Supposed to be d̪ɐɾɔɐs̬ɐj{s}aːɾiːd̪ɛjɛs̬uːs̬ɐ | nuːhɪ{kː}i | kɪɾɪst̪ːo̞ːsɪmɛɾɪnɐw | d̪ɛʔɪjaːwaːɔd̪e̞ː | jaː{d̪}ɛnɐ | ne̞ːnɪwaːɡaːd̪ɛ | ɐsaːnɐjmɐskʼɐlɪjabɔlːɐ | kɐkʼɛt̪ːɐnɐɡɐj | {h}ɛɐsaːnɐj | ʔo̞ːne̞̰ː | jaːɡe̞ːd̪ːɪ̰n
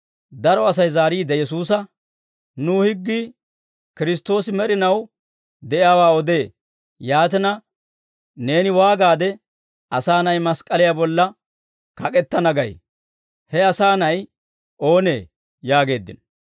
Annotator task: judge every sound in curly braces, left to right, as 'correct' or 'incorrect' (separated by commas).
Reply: incorrect, incorrect, incorrect, correct